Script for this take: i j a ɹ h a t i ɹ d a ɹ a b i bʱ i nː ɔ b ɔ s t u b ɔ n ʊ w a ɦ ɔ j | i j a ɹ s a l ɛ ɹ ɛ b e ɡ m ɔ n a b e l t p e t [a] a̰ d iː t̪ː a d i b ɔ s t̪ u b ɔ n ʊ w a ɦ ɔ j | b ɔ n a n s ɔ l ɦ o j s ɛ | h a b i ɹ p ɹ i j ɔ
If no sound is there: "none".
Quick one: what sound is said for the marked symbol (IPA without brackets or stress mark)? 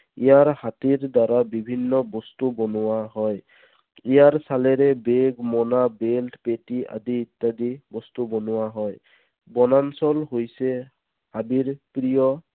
i